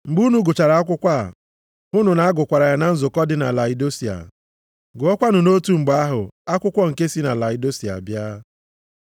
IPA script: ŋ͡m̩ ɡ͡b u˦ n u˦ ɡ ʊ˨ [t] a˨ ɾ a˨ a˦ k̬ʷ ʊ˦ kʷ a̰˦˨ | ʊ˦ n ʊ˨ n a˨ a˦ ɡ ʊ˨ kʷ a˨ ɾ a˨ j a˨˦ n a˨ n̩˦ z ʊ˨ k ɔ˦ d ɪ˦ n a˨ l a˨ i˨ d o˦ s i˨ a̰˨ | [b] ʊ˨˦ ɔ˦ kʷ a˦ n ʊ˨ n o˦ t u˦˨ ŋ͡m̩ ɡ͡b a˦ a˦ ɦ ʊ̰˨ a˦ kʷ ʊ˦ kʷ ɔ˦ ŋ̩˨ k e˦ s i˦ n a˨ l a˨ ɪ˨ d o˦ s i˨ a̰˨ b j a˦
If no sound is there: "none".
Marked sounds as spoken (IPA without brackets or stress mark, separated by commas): t͡ʃ, ɡ